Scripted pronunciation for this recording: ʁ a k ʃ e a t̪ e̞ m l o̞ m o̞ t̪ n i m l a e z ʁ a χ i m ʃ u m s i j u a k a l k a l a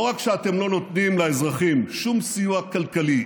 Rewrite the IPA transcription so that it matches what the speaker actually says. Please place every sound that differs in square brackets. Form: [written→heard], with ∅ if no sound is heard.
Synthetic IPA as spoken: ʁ a k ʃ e a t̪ e̞ m l o̞ [m→n] o̞ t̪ n i m l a e z ʁ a χ i m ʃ u m s i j u a k a l k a l [a→i]